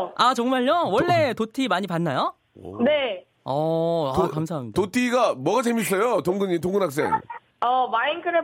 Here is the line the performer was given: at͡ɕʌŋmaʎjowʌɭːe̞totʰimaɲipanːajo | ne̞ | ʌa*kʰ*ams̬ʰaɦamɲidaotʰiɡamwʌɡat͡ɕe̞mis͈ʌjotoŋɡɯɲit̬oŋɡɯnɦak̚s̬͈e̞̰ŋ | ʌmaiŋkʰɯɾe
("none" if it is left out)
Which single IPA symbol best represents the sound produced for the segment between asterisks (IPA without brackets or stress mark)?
k